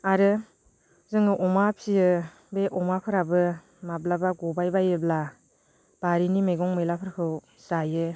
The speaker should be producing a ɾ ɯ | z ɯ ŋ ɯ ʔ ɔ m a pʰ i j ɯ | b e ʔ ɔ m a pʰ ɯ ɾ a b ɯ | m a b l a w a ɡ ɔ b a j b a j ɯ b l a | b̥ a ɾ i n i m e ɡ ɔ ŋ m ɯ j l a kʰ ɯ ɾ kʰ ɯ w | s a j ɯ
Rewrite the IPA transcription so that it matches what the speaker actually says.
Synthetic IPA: a ɾ ɯ | z ɯ ŋ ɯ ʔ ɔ m a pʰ i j ɯ | b e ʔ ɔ m a pʰ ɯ ɾ a b ɯ | m a b l a b a ɡ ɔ b a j b a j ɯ b l a | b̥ a ɾ i n i m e ɡ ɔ ŋ m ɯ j l a pʰ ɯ ɾ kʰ ɯ w | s a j ɯ